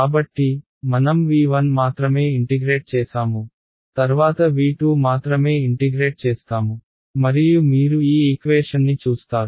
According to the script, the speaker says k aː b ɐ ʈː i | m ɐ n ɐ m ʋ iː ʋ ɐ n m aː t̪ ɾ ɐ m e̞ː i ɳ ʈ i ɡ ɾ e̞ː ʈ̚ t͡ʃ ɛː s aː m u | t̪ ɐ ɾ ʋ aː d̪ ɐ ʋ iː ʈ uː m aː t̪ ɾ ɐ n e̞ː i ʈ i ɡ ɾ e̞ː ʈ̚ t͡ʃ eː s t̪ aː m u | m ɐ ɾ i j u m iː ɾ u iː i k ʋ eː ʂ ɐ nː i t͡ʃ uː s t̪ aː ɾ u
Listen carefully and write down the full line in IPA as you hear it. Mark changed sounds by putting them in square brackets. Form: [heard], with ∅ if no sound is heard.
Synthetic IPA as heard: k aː b ɐ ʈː i | m ɐ n ɐ m ʋ iː ʋ ɐ n m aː t̪ ɾ ɐ m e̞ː i ɳ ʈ i ɡ ɾ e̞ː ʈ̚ t͡ʃ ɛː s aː m u | t̪ ɐ ɾ ʋ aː [t̪] ɐ ʋ iː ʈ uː m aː t̪ ɾ ɐ [m] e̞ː i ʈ i ɡ ɾ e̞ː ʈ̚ t͡ʃ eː s t̪ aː m u | m ɐ ɾ i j u m iː ɾ u iː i k ʋ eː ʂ ɐ nː i t͡ʃ uː s t̪ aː ɾ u